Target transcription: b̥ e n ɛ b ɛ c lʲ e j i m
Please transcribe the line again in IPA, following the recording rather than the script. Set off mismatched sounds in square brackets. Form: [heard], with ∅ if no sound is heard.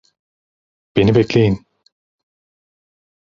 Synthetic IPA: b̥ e n [i] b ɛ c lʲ e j i [n]